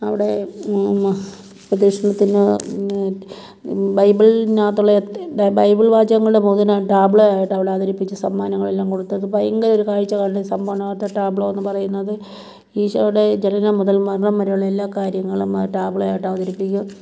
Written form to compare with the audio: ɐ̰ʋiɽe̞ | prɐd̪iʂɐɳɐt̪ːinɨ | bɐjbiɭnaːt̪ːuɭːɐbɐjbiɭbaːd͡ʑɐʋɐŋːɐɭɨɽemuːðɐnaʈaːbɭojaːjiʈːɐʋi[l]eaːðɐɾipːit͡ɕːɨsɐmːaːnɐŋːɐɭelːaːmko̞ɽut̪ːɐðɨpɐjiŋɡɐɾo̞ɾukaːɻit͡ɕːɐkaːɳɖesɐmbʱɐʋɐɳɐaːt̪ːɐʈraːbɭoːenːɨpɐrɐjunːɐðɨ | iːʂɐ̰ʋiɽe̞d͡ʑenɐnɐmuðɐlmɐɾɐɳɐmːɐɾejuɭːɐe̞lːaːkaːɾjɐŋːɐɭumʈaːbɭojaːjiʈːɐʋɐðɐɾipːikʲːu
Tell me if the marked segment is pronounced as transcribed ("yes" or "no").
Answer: no